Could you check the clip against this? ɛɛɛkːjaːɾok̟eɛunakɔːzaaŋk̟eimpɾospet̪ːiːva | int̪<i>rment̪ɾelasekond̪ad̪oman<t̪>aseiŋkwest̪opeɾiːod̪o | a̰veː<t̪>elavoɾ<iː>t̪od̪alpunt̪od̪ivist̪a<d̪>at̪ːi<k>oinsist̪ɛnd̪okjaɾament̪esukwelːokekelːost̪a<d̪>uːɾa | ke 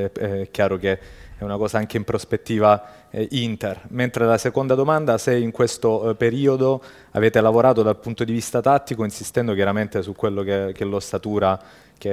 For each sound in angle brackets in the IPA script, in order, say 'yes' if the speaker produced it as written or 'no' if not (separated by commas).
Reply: no, no, yes, no, no, yes, no